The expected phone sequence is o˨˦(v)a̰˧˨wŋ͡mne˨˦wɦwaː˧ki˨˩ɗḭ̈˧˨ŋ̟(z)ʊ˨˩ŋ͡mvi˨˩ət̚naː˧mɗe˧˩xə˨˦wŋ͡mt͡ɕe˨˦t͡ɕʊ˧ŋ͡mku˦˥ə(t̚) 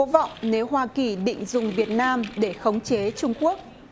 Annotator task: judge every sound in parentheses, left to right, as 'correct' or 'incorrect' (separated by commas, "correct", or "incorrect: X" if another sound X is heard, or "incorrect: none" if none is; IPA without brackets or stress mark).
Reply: correct, correct, incorrect: k̚